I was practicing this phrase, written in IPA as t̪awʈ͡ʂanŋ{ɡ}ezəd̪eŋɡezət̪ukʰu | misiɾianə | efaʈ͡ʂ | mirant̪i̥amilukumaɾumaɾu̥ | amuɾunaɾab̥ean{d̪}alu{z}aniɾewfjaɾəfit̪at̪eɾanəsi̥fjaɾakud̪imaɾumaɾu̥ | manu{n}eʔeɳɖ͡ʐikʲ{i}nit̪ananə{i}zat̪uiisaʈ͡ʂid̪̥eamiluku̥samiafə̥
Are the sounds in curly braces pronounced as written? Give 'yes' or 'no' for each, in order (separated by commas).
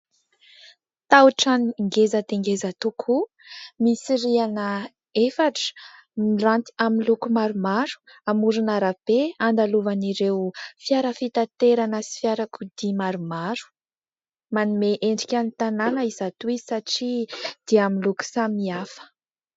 yes, yes, no, no, no, yes